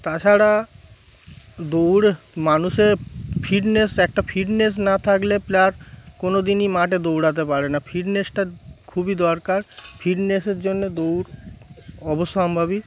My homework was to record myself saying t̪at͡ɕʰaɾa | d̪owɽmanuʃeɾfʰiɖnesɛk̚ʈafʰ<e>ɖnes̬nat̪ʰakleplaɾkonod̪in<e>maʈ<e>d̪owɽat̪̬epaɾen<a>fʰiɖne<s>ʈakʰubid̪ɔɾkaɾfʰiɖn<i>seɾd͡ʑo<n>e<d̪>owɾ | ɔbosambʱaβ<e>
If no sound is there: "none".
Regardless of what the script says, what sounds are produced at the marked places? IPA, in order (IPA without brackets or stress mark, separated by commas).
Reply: i, i, e, a, s, e, nː, d̪, i